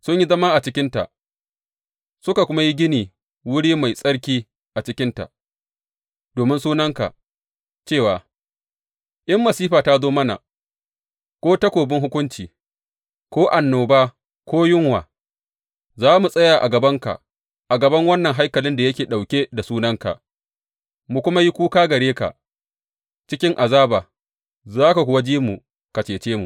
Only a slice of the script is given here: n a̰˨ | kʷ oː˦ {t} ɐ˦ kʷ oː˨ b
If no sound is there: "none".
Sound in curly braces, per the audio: t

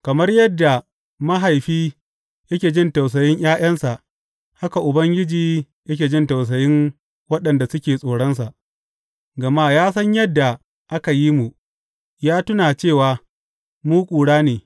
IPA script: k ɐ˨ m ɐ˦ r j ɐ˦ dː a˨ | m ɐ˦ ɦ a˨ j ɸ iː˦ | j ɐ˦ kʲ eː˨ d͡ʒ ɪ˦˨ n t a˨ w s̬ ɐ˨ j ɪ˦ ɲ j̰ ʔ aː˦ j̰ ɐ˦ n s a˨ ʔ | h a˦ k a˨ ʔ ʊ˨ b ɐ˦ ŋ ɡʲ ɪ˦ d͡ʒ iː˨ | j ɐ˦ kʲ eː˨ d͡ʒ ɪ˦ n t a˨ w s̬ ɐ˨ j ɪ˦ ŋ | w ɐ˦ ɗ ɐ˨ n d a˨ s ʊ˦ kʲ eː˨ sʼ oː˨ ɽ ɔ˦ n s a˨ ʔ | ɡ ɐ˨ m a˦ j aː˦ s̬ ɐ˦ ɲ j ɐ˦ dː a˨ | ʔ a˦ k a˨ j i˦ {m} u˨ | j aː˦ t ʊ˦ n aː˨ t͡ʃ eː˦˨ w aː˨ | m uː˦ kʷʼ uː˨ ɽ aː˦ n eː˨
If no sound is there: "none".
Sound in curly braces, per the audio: m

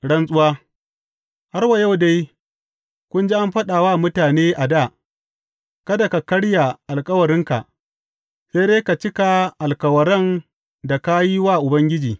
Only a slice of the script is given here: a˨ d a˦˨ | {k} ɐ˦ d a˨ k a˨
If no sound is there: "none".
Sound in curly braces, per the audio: k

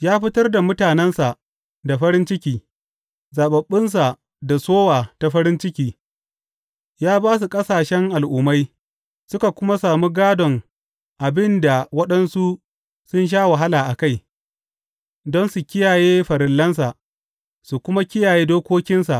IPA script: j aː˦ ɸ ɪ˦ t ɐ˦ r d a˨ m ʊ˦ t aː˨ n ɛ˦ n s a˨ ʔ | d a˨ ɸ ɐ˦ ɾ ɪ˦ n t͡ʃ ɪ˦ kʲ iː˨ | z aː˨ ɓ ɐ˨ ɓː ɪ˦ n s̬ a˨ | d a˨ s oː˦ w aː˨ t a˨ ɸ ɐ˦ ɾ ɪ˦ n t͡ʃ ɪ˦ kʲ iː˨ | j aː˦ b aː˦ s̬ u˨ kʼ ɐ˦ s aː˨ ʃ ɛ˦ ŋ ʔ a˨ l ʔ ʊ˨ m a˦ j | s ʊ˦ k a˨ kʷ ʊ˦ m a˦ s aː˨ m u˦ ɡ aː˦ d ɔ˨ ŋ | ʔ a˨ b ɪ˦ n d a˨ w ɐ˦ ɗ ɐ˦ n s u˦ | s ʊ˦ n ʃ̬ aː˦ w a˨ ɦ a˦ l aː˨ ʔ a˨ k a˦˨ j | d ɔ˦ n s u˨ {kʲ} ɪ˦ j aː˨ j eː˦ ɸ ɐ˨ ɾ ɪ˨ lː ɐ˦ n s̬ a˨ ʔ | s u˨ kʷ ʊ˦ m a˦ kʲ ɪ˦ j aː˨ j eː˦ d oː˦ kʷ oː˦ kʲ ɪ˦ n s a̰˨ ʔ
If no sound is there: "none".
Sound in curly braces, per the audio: kʲ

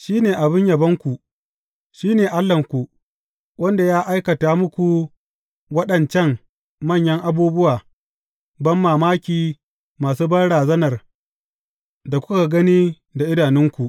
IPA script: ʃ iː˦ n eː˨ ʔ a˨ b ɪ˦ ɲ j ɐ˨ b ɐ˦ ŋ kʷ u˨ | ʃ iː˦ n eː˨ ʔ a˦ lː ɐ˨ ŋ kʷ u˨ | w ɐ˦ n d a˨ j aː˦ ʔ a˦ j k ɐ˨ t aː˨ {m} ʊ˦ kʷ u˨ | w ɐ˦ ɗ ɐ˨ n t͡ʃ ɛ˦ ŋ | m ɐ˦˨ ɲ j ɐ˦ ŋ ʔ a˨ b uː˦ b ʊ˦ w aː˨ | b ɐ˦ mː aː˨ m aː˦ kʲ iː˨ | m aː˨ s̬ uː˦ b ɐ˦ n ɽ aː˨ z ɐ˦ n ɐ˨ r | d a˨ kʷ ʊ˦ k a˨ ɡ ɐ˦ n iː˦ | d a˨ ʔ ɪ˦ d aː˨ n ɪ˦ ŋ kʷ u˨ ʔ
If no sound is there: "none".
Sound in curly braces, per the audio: m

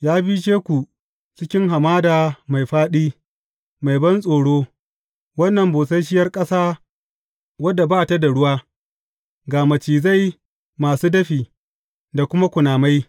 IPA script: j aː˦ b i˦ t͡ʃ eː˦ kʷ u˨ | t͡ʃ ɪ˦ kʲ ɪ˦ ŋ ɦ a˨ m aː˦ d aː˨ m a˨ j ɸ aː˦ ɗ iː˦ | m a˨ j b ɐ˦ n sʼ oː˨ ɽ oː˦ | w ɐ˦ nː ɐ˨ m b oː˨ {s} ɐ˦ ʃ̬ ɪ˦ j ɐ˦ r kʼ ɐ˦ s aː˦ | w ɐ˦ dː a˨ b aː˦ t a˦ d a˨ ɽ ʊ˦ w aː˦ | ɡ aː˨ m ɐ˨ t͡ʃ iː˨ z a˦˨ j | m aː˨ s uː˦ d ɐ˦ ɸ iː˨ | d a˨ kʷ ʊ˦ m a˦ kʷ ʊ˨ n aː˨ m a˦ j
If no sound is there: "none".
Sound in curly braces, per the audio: s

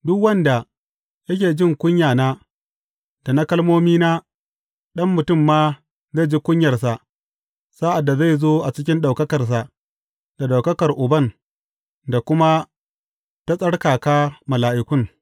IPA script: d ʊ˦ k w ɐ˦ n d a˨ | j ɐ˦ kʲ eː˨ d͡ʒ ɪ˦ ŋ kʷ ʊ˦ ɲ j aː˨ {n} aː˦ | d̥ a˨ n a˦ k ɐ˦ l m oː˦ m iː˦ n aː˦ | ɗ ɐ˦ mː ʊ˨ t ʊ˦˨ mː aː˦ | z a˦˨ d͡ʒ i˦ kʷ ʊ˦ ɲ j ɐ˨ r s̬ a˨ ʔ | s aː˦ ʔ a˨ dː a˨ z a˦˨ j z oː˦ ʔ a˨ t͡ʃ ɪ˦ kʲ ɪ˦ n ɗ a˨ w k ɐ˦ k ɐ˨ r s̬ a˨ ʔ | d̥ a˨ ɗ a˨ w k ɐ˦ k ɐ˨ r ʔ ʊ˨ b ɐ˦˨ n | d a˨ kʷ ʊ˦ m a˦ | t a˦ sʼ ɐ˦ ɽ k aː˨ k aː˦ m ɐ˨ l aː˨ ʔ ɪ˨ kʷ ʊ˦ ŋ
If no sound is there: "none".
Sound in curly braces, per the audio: n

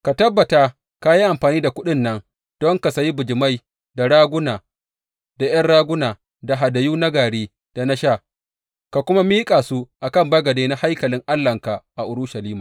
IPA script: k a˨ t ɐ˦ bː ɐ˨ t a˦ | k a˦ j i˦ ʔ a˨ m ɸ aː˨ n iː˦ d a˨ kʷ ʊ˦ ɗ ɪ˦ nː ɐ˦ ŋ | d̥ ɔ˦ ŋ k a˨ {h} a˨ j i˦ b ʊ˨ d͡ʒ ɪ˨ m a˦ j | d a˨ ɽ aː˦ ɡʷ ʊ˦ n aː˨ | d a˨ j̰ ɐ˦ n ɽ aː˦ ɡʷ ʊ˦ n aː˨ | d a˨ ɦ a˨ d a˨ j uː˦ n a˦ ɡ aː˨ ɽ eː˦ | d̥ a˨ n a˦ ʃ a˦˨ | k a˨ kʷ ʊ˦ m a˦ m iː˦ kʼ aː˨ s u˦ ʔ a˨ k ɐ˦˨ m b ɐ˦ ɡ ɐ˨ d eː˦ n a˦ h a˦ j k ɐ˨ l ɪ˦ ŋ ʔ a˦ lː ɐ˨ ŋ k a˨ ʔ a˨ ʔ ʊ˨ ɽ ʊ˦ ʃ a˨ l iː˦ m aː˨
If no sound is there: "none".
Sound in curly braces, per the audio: s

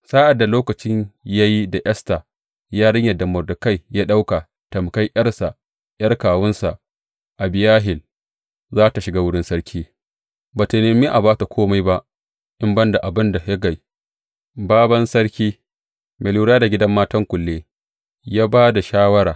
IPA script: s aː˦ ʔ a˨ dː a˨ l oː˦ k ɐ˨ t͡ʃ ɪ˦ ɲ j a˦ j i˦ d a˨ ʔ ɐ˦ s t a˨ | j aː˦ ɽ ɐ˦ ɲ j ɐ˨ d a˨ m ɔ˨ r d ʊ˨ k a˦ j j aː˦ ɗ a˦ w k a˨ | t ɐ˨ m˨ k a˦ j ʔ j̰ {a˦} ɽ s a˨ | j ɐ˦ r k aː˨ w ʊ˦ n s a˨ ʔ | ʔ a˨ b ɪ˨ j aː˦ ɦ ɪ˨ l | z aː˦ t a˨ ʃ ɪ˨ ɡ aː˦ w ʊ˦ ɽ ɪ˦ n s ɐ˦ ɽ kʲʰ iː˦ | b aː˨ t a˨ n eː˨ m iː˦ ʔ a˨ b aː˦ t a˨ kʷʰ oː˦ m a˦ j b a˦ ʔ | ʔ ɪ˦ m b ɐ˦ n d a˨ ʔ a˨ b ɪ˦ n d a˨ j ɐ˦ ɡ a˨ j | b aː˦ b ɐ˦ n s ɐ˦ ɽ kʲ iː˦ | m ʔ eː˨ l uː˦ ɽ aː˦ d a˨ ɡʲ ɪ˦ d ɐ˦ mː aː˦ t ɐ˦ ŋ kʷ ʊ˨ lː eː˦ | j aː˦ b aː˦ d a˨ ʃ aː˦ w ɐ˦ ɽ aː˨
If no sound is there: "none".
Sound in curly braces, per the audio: ɐ˦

